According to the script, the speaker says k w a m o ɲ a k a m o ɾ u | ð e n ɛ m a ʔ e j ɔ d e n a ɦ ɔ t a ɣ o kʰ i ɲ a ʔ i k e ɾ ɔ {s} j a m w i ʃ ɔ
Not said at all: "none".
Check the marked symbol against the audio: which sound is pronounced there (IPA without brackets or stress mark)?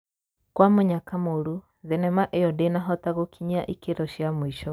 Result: ʃ